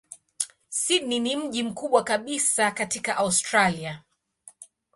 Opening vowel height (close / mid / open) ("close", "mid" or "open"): close